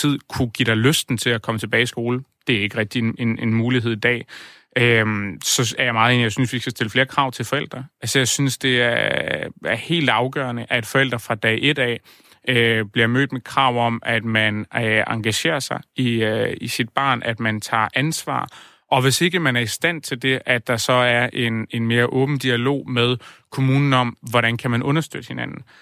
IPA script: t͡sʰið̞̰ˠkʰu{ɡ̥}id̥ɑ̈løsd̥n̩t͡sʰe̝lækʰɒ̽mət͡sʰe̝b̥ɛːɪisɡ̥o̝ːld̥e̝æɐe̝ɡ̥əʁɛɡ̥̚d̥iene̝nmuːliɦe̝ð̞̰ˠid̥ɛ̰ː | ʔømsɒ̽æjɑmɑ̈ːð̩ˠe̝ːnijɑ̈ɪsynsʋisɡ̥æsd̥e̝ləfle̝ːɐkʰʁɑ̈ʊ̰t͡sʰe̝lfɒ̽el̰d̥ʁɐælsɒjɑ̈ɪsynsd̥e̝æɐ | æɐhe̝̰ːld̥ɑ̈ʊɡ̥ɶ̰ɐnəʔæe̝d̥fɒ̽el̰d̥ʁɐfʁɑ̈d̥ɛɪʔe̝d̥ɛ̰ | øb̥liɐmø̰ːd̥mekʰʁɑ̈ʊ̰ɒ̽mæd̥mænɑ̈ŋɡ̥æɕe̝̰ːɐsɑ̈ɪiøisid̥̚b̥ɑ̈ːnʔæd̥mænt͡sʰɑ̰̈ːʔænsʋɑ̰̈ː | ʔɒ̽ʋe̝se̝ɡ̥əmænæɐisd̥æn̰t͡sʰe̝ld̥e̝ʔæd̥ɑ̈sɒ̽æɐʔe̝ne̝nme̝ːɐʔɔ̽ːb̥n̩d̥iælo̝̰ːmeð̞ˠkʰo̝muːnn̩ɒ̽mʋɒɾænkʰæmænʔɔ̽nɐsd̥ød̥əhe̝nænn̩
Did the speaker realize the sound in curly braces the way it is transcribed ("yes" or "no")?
yes